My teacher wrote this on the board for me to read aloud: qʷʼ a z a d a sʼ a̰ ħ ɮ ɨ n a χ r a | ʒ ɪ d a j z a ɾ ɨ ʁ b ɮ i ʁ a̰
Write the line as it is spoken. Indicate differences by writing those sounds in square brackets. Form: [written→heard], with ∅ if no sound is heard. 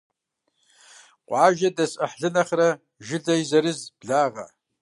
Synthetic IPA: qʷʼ a [z→ʒ] a d a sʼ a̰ ħ ɮ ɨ n a χ r a | ʒ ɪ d a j z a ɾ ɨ [ʁ→z] b ɮ [i→a] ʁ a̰